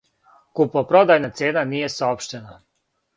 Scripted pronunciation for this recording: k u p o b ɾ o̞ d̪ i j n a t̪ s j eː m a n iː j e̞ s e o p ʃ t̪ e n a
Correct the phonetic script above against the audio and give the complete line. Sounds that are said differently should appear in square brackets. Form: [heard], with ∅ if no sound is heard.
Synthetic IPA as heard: k u p o [p] ɾ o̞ d̪ [a] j n a t̪ s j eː [n] a n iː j e̞ s [a] o p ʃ t̪ e n a